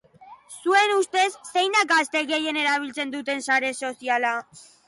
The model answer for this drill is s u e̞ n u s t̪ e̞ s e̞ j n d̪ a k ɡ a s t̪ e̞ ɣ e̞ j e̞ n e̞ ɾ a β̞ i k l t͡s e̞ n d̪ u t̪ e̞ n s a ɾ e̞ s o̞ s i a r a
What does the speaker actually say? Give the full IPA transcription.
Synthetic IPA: s u e̞ n u s t̪ e̞ sː e̞ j n d̪ a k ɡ a s t̪ e̞ ɣ e̞ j e̞ n e̞ ɾ a β̞ i l t͡s e̞ n d̪ u t̪ e̞ n s a ɾ e̞ s o̞ s i a l a